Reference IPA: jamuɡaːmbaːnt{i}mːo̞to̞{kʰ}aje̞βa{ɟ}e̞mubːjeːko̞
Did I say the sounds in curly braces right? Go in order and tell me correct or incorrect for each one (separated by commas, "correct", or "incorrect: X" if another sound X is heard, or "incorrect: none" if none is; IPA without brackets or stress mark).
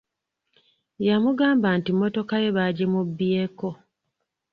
correct, incorrect: k, correct